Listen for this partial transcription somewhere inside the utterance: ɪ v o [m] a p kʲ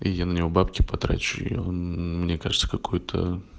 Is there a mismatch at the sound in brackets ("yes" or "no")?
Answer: yes